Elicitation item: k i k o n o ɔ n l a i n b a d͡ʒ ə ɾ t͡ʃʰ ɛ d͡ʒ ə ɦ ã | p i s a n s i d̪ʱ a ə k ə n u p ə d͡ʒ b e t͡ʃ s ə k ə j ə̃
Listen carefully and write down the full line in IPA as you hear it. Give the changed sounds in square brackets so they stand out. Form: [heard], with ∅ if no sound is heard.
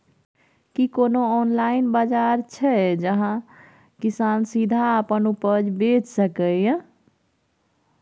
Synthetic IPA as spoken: k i k o n o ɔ n l a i n b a d͡ʒ [a] ɾ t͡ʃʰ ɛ d͡ʒ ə ɦ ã | [k] i s a n s i d̪ʱ a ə [p] ə n u p ə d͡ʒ b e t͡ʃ s ə k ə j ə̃